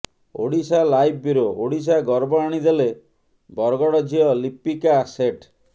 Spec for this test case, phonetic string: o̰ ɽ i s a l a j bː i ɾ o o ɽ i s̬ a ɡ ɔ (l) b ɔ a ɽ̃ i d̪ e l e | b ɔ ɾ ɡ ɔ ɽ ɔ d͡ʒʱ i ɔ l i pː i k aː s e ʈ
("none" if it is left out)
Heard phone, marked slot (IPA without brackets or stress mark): ɾ